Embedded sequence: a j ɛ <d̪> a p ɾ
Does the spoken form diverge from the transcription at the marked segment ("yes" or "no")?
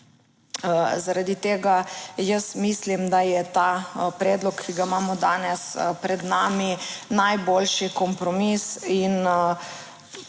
yes